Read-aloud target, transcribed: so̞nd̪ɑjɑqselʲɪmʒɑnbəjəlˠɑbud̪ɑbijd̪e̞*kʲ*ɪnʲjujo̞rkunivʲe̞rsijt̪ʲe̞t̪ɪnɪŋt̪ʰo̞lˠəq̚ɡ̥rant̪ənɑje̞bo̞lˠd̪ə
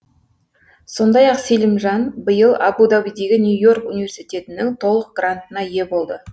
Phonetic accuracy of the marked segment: incorrect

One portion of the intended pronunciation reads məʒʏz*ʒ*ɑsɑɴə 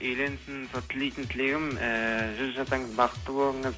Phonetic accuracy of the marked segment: correct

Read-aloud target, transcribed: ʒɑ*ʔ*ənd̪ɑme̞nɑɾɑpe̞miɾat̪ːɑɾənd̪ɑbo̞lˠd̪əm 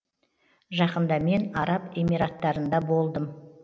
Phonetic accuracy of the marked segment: incorrect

